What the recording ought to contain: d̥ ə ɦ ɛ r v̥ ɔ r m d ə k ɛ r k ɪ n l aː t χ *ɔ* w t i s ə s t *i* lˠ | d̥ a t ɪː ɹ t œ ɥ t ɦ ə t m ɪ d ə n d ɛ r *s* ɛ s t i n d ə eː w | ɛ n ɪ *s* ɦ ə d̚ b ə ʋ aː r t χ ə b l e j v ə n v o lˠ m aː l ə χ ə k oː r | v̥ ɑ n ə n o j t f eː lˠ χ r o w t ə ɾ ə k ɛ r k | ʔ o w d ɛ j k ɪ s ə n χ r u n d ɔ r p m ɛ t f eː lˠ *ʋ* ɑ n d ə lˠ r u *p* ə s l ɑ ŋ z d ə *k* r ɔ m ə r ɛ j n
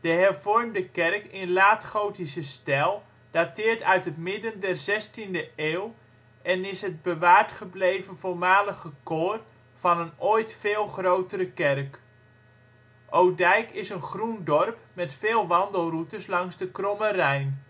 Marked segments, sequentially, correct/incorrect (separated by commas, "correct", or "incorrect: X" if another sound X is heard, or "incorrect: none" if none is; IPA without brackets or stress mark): incorrect: o, incorrect: ɛ, incorrect: z, correct, correct, incorrect: t, correct